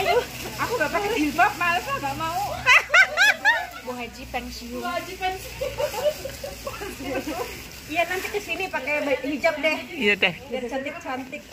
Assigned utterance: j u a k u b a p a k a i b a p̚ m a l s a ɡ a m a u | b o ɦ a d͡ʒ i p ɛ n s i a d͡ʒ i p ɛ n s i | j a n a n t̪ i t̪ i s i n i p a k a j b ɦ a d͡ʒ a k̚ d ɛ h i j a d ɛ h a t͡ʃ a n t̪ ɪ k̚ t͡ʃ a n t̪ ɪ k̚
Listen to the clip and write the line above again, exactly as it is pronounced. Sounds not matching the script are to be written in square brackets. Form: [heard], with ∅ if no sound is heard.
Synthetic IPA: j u a k u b a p a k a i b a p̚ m a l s a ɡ a m a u | b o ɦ a d͡ʒ i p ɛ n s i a d͡ʒ i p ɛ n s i | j a n a n t̪ i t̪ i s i n i p a k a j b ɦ [i] d͡ʒ a [p̚] d ɛ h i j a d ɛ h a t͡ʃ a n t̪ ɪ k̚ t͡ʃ a n t̪ ɪ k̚

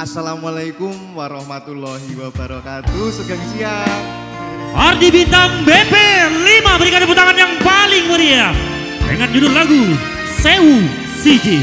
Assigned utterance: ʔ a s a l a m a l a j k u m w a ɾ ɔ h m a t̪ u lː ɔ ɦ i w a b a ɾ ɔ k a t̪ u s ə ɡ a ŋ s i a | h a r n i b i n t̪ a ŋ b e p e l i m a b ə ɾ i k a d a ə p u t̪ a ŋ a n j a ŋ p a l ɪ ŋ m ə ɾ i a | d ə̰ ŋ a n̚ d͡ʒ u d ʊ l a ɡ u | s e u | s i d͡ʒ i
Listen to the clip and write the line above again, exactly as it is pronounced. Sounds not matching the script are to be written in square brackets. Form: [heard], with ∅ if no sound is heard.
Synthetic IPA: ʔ a s a l a m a l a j k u m w a ɾ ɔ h m a t̪ u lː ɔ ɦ i w a b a ɾ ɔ k a t̪ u s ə ɡ a ŋ s i a | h a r [d] i b i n t̪ a ŋ b e p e l i m a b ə ɾ i k a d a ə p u t̪ a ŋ a n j a ŋ p a l ɪ ŋ m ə ɾ i a | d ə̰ ŋ a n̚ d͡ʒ u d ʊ l a ɡ u | s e u | s i d͡ʒ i

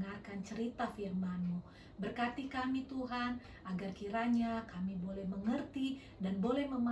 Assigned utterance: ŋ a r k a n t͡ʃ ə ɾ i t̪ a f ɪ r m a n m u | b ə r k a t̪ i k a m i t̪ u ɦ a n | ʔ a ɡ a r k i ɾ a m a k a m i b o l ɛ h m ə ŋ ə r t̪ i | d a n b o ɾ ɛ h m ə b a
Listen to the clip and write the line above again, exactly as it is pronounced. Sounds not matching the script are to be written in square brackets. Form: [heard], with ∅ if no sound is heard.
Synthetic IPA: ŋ a r k a n t͡ʃ ə ɾ i t̪ a f [i] r m a n m u | b ə r k a t̪ i k a m i t̪ u ɦ a n | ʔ a ɡ a r k i ɾ a [ɲ] a k a m i b o l ɛ h m ə ŋ ə r t̪ i | d a n b o [l] ɛ h m ə [m] a

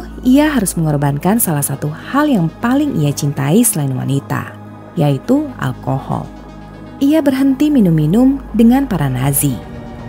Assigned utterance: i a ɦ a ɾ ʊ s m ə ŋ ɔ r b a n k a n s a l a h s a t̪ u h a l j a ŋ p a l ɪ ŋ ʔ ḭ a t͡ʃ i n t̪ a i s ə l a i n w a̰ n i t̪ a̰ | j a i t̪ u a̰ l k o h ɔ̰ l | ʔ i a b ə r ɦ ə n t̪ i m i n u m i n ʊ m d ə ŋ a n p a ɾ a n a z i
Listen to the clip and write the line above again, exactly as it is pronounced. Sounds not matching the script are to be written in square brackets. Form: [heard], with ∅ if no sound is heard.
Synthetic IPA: i a ɦ a ɾ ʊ s m ə ŋ ɔ r b a n k a n s a l a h s a t̪ u h a l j a ŋ p a l ɪ ŋ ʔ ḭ a t͡ʃ i n t̪ a i s ə l a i n w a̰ n i t̪ a̰ | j a i t̪ u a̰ l k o h ɔ̰ l | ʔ i a b ə r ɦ ə n t̪ i m i n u m i n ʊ m d ə ŋ a n p a ɾ a n a z i

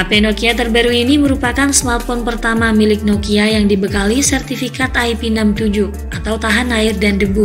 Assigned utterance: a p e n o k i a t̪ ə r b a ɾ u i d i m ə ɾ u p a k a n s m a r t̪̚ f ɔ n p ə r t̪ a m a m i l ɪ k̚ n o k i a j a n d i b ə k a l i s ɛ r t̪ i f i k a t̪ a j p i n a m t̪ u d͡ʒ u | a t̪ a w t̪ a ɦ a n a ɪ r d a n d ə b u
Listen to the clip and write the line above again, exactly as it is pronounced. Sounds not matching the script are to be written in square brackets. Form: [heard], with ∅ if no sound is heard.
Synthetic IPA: a p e n o k i a t̪ ə r b a ɾ u i [n] i m ə ɾ u p a k a n s m a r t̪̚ f ɔ n p ə r t̪ a m a m i l ɪ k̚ n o k i a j a [ŋ] d i b ə k a l i s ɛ r t̪ i f i k a t̪ a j p i n a m t̪ u d͡ʒ u | a t̪ a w t̪ a ɦ a n a ɪ r d a n d ə b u

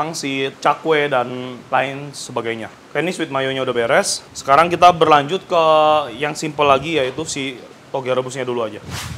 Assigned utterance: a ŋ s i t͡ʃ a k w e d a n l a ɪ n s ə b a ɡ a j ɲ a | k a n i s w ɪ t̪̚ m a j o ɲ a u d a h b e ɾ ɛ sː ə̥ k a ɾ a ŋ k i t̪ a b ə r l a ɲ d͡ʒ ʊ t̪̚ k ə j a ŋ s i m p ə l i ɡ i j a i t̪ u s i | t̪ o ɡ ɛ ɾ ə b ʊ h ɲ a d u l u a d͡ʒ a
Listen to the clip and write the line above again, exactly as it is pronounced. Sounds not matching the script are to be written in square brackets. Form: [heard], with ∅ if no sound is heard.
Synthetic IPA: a ŋ s i t͡ʃ a k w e d a n l a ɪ n s ə b a ɡ a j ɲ a | k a n i s w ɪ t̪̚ m a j o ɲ a u d a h b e ɾ ɛ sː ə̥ k a ɾ a ŋ k i t̪ a b ə r l a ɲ d͡ʒ ʊ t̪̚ k ə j a ŋ s i m p ə l [a] ɡ i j a i t̪ u s i | t̪ o ɡ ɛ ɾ ə b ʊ [s] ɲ a d u l u a d͡ʒ a

